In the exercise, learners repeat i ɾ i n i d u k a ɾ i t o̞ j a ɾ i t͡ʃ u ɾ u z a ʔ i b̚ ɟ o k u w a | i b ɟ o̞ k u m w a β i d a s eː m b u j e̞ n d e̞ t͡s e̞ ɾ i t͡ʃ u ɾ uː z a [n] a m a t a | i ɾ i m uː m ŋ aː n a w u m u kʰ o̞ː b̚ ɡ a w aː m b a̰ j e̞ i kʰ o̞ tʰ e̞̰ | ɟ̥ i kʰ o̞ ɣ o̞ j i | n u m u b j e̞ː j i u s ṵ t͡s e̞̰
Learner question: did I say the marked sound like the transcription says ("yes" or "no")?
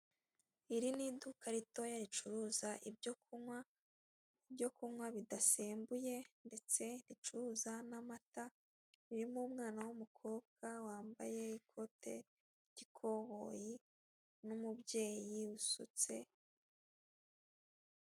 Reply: yes